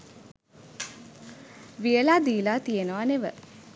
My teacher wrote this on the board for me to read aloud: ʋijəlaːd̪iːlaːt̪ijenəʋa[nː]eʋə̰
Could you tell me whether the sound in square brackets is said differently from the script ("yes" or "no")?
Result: yes